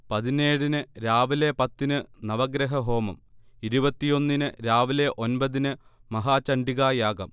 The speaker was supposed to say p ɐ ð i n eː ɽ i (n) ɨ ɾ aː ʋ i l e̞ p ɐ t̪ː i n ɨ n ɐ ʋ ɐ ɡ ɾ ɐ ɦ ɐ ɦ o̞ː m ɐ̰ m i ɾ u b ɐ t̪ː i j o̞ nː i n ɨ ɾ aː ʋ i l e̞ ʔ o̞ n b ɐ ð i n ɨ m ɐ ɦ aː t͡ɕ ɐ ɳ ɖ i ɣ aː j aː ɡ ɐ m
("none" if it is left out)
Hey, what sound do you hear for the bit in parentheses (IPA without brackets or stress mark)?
n